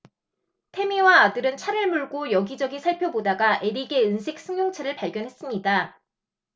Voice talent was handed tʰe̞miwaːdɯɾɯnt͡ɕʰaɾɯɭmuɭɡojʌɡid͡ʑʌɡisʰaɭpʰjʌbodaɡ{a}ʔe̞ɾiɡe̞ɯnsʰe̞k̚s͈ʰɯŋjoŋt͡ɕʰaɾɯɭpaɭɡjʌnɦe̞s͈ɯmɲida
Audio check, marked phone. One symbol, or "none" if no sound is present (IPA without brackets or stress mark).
a